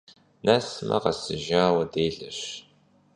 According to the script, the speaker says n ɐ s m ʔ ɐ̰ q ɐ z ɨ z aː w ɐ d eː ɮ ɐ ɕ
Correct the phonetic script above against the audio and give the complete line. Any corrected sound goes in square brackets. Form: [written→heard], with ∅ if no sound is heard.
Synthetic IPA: n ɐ s m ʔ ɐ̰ q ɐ [z→s] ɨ [z→ʒ] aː w ɐ d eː ɮ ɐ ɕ